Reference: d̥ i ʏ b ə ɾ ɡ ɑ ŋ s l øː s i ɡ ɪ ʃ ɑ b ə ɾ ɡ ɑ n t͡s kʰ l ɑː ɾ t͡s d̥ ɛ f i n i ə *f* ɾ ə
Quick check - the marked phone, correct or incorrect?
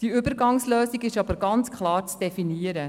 incorrect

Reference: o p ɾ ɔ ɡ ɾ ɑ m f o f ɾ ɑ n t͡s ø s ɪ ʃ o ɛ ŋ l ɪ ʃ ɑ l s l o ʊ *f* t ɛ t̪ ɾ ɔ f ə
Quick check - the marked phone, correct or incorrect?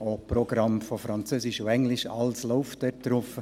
correct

